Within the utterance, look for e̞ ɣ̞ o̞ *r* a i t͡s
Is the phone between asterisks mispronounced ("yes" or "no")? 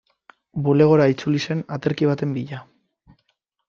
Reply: yes